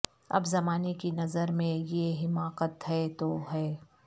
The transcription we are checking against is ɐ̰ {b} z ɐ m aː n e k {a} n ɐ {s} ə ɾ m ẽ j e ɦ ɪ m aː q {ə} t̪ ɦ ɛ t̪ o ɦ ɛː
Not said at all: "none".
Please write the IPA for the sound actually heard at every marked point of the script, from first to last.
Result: b, i, z, ə

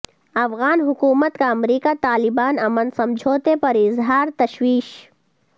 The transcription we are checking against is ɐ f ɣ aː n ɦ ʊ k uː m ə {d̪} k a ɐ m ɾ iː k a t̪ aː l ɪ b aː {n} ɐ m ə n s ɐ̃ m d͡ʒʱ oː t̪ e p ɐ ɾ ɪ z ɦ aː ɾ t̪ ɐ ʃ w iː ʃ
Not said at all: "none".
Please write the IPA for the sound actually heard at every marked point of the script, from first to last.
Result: t̪, n

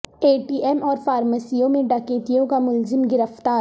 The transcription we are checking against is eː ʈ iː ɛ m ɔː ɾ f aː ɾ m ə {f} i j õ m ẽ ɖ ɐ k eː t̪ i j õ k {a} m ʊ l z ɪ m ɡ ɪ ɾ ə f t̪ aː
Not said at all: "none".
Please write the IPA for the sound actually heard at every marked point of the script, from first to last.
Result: s, a

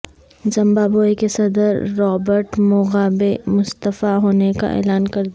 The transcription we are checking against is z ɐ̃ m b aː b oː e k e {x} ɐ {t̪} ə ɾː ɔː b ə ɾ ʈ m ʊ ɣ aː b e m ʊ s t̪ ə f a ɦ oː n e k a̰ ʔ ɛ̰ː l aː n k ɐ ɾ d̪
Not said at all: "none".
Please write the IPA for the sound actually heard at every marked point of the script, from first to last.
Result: s, d̪

